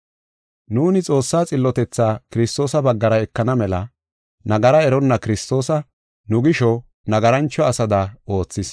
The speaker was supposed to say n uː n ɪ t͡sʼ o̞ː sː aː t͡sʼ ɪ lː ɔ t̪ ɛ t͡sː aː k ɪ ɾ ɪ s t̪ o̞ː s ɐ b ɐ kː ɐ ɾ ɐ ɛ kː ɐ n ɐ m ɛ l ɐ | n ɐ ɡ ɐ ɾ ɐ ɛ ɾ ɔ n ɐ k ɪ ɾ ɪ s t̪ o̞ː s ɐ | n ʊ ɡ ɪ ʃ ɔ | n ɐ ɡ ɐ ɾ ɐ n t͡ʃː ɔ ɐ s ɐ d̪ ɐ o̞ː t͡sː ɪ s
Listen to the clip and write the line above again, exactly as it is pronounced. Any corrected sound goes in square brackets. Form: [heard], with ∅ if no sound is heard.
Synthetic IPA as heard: n uː n ɪ t͡sʼ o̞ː sː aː t͡sʼ ɪ lː ɔ t̪ ɛ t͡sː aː k ɪ ɾ ɪ s t̪ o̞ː s ɐ b ɐ [ɡː] ɐ ɾ ɐ ɛ kː ɐ n ɐ m ɛ l ɐ | n ɐ ɡ ɐ ɾ ɐ ɛ ɾ ɔ [nː] ɐ k ɪ ɾ ɪ s t̪ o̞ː s ɐ | n ʊ ɡ ɪ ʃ ɔ | n ɐ ɡ ɐ ɾ ɐ n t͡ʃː ɔ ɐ s ɐ d̪ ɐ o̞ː t͡sː ɪ s